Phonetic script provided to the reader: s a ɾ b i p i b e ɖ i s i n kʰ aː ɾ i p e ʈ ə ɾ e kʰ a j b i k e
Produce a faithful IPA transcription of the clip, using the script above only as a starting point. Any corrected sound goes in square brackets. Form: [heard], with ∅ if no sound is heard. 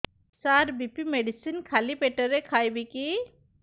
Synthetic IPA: s a ɾ b i p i [m] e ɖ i s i n kʰ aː [l] i p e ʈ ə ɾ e kʰ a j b i k [i]

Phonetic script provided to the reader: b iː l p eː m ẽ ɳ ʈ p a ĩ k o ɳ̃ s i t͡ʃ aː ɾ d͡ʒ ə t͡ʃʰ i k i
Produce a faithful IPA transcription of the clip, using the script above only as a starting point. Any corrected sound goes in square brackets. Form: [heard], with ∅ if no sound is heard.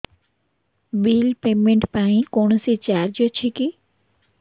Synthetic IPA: b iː l p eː m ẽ ɳ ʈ p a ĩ k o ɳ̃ s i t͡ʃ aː ɾ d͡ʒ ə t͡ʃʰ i k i

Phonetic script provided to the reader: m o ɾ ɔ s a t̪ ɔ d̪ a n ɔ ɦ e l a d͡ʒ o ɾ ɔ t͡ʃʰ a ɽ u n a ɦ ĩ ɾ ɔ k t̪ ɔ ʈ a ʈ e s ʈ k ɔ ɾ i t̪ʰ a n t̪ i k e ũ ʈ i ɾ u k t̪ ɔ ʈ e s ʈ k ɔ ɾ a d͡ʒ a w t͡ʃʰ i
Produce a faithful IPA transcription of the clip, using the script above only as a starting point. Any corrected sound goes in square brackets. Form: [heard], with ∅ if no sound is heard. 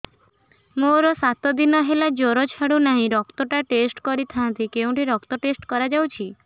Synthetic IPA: m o ɾ ɔ s a t̪ ɔ d̪ [i] n ɔ ɦ e l a d͡ʒ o ɾ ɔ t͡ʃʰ a ɽ u n a ɦ ĩ ɾ ɔ k t̪ ɔ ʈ a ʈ e s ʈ k ɔ ɾ i t̪ʰ a n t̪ i k e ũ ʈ i ɾ [ɔ] k t̪ ɔ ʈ e s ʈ k ɔ ɾ a d͡ʒ a w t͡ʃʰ i

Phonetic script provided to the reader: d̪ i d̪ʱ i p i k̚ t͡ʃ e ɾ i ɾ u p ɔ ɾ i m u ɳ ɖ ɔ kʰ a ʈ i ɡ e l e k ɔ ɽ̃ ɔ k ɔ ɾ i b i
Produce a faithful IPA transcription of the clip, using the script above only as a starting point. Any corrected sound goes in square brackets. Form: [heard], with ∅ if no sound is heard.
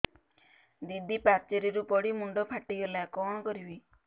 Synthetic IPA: d̪ i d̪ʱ i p [a] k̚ t͡ʃ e ɾ i ɾ u p ɔ [ɽ] i m u ɳ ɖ ɔ [pʰ] a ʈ i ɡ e l [a] k ɔ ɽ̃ ɔ k ɔ ɾ i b i

